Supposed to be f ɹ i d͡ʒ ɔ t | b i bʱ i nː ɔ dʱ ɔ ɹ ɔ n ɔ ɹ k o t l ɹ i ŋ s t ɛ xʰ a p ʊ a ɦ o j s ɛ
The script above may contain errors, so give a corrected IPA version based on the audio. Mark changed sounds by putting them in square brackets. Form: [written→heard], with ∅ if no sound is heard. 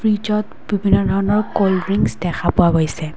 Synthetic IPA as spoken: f ɹ i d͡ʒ ɔ t | b i bʱ i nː ɔ dʱ ɔ ɹ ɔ n ɔ ɹ k o [t→∅] l ɹ i ŋ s [t→d] ɛ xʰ a p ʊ a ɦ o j s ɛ